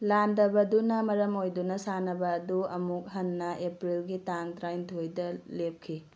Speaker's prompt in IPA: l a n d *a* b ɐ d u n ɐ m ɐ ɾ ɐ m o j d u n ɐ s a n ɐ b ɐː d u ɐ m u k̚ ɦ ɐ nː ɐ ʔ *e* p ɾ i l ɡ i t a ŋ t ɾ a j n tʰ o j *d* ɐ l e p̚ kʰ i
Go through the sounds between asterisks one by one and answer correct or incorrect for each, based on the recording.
incorrect: ɐ, correct, correct

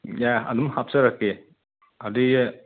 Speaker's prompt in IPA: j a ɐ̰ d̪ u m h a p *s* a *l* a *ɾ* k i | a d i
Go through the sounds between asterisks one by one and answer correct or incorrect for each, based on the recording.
correct, incorrect: ɾ, incorrect: none

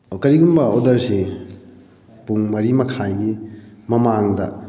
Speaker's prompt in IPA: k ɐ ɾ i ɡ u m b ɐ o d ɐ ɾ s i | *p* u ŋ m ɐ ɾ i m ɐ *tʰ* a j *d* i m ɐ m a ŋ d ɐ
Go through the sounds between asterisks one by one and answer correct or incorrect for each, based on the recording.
correct, incorrect: kʰ, incorrect: ɡ

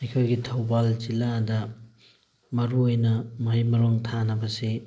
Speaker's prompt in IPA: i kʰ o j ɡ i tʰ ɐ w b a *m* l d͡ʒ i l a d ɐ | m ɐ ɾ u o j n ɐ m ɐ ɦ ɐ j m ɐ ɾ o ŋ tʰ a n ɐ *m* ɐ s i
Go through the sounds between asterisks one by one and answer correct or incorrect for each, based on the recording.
incorrect: none, incorrect: b

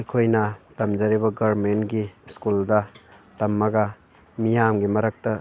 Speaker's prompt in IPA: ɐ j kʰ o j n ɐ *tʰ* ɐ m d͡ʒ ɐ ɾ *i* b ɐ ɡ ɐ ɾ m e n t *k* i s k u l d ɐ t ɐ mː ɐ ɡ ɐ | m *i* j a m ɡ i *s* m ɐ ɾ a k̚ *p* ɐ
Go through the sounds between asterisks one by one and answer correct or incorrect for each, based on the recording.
incorrect: t, correct, incorrect: ɡ, correct, incorrect: none, incorrect: t

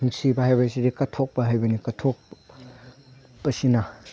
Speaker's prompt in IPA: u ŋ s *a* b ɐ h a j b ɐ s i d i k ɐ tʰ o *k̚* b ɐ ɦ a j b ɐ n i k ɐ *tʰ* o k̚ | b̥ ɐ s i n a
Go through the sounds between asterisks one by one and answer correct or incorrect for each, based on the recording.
incorrect: i, correct, correct

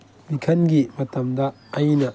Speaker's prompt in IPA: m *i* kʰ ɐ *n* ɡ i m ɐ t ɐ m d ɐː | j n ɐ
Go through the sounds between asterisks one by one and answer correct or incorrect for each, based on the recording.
correct, correct

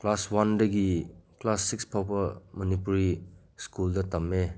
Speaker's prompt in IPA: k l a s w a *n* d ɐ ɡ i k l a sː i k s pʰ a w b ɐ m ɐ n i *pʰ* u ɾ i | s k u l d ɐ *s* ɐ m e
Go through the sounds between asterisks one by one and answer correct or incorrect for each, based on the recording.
correct, incorrect: p, incorrect: t

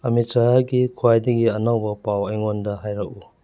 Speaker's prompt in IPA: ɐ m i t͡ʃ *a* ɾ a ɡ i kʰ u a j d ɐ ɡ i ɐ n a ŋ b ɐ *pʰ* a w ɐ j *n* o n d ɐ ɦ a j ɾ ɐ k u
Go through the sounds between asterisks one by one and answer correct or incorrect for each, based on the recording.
correct, incorrect: p, incorrect: ŋ

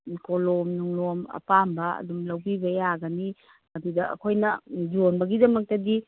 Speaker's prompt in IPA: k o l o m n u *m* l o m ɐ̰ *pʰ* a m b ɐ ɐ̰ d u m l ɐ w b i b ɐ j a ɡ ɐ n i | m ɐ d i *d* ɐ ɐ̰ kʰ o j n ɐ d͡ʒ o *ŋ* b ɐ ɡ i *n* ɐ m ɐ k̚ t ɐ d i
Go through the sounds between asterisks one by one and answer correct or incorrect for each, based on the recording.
incorrect: ŋ, incorrect: p, correct, incorrect: n, incorrect: d

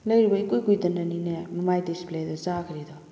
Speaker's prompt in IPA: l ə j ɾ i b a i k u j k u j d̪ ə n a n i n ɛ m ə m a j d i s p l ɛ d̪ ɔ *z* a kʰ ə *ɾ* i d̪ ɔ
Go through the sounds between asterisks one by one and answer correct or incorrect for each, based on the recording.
correct, correct

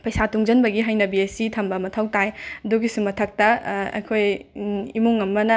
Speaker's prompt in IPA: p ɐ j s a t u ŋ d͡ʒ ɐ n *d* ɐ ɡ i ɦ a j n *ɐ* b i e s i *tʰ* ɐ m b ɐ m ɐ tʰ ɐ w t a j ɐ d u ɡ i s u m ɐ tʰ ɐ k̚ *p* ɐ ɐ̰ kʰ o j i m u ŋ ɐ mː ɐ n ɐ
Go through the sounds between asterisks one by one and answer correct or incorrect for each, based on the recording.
incorrect: b, correct, correct, incorrect: t

